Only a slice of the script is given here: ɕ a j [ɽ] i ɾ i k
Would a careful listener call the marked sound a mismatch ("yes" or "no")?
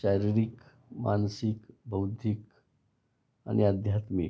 yes